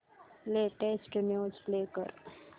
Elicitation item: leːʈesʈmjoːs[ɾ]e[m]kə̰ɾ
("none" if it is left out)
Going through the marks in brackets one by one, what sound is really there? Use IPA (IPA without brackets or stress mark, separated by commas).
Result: l, none